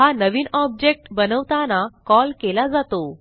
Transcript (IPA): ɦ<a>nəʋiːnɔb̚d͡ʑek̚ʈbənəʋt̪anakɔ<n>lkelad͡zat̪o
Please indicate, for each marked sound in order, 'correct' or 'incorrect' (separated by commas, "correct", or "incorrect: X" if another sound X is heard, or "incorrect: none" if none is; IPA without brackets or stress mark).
correct, incorrect: none